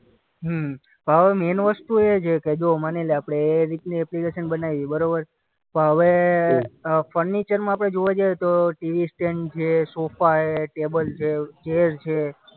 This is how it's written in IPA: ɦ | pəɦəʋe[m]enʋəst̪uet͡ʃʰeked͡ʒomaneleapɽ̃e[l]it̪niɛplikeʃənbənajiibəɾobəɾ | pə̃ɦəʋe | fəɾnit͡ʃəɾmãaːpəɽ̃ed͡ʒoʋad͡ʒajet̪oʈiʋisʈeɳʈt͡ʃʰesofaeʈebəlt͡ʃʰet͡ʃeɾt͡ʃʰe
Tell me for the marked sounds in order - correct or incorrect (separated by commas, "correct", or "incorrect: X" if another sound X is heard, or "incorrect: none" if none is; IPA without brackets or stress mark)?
correct, incorrect: ɾ